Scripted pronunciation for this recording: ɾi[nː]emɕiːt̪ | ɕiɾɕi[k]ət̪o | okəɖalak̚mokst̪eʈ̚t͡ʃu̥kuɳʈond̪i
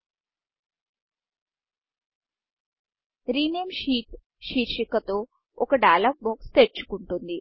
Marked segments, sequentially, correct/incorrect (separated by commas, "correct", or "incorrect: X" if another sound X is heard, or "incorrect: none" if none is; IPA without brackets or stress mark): incorrect: n, correct